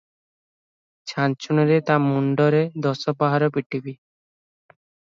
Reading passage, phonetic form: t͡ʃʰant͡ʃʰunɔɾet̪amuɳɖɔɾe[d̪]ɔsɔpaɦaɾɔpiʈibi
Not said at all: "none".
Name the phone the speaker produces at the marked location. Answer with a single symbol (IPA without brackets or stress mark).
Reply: d̪